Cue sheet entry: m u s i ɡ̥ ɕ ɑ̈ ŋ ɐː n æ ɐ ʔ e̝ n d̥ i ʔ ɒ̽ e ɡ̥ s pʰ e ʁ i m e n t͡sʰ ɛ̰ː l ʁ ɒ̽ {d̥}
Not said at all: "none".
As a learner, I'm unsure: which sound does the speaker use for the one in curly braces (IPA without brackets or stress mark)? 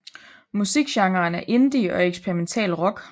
ɡ̥